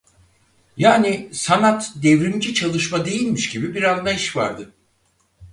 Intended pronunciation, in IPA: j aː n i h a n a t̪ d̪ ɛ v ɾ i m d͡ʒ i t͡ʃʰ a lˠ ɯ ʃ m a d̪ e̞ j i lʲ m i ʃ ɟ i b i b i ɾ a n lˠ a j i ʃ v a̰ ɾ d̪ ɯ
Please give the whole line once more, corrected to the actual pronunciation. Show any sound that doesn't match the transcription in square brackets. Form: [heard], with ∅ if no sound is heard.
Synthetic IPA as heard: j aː n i [s] a n a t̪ d̪ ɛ v ɾ i m d͡ʒ i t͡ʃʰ a lˠ ɯ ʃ m a d̪ e̞ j i lʲ m i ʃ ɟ i b i b i ɾ a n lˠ a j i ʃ v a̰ ɾ d̪ ɯ